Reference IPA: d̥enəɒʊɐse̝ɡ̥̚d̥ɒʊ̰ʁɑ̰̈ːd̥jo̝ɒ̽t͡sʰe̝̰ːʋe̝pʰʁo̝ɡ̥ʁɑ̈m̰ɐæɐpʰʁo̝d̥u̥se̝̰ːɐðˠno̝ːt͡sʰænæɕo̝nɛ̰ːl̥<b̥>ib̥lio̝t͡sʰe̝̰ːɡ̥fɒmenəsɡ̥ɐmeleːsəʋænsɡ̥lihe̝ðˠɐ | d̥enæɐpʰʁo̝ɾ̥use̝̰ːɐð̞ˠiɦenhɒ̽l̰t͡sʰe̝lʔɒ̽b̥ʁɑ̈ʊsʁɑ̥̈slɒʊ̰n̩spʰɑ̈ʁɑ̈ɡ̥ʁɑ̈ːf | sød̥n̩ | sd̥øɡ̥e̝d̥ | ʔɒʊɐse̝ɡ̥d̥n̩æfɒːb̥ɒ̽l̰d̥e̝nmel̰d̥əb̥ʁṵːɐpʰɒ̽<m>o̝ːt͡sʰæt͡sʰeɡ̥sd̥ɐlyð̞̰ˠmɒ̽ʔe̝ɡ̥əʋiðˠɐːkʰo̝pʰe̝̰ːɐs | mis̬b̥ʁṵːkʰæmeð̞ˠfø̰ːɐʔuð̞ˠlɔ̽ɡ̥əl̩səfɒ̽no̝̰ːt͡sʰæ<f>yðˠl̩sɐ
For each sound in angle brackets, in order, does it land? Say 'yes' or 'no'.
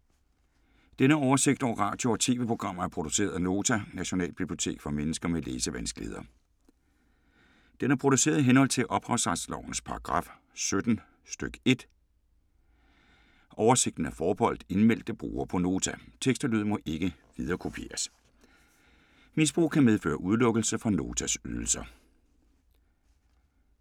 yes, no, no

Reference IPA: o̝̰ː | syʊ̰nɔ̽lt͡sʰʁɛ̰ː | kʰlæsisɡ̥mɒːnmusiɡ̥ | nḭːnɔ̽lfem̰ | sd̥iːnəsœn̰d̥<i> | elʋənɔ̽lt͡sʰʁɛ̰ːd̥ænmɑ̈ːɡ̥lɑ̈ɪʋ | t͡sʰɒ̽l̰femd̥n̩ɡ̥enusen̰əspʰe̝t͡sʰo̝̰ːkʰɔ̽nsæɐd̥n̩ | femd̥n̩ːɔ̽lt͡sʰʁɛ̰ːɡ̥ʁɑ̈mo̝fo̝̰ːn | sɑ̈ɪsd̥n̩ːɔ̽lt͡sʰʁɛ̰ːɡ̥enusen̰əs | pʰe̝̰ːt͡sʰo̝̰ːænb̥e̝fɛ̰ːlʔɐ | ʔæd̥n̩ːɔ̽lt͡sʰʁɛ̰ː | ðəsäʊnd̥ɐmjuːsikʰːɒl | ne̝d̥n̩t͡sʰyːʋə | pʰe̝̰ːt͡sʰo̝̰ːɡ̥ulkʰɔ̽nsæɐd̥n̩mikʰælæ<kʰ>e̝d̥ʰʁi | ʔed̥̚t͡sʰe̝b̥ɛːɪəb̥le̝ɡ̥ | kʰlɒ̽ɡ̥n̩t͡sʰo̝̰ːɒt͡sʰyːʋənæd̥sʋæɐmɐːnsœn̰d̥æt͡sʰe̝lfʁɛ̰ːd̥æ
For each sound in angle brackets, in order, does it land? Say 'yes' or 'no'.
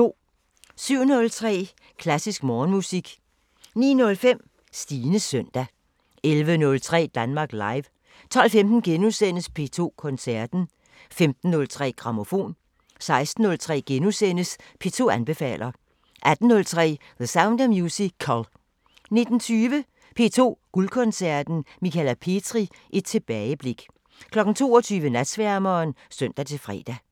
no, no

